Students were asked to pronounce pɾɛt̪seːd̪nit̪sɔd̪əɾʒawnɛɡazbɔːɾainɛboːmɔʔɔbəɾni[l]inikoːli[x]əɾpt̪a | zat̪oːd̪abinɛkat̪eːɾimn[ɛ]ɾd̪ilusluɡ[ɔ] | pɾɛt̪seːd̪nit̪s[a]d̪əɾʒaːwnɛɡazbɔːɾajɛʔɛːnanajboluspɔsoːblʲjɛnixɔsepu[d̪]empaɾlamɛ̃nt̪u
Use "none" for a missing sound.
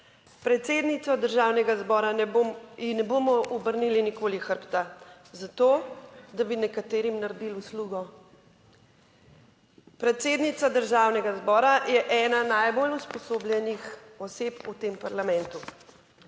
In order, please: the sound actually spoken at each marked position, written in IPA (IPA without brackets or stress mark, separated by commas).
l, x, a, ɔ, a, t̪